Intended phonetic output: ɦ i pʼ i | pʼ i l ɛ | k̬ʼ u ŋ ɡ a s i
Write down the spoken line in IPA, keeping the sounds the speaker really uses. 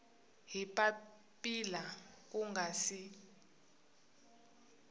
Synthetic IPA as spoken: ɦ i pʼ a | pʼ i l a | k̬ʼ u ŋ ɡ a s i

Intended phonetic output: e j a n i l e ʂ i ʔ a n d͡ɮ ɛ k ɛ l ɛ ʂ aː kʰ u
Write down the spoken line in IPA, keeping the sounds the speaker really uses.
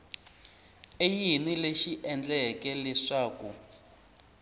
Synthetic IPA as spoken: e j i n i l e ʃ i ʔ ɛ n d͡ɮ ɛ k ɛ l ɛ ʂ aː k u

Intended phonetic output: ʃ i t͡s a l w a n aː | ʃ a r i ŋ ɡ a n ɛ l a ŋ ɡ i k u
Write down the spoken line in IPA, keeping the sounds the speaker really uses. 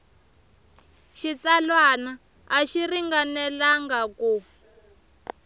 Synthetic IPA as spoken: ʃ i t͡s a l w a n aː | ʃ i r i ŋ ɡ a n ɛ l a ŋ ɡ a k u

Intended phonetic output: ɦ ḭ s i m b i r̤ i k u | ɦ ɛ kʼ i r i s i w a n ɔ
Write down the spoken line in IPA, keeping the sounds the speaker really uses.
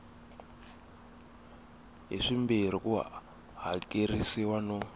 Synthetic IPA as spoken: ɦ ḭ ʂ i m b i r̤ i k u | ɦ a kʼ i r i s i w a n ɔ

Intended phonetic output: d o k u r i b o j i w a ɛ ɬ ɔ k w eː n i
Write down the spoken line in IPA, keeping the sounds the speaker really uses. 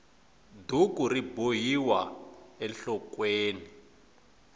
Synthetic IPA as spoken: d u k u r i b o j i w a ɛ ɬ ɔ k w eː n i

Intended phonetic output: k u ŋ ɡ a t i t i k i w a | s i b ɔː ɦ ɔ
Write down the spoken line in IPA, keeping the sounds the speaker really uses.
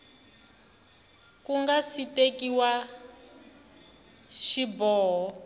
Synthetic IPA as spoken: k u ŋ ɡ a s i t e k i w a | ʃ i b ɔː ɦ ɔ

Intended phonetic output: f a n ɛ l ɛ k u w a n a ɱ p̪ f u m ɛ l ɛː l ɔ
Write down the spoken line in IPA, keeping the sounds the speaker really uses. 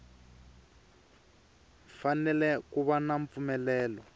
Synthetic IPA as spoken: f a n ɛ l ɛ k u β a n a ɱ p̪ f u m ɛ l ɛː l ɔ

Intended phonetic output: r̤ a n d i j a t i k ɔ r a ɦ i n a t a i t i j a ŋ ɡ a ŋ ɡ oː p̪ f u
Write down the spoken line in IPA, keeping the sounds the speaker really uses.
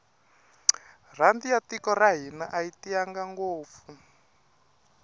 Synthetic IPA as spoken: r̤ a n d i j a t i k ɔ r a ɦ i n a ʔ a i t i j a ŋ ɡ a ŋ ɡ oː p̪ f u

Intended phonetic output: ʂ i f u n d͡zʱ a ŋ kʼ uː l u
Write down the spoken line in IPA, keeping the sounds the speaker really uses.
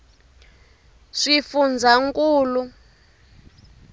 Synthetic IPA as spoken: ʂ i f u n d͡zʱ a ŋ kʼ uː l u

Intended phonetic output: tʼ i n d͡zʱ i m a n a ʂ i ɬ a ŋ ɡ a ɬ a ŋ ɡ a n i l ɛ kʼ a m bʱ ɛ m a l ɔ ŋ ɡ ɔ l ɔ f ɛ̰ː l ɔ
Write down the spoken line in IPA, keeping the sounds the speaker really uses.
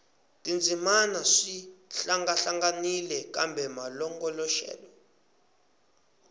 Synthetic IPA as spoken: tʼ i n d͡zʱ i m a n a ʂ i ɬ a ŋ ɡ a ɬ a ŋ ɡ a n i l ɛ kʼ a m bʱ ɛ m a l ɔ ŋ ɡ ɔ l ɔ ʃ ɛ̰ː l ɔ

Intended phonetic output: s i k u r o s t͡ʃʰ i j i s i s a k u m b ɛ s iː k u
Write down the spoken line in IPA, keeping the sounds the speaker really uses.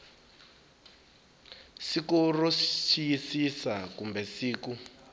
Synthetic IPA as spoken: s i k u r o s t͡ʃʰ i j i s i s a k u m b ɛ s iː k u

